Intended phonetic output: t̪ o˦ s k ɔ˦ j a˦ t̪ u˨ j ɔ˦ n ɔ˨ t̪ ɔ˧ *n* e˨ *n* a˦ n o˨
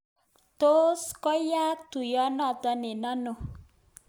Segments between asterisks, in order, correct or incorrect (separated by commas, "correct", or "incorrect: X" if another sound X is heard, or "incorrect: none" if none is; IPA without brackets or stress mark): correct, correct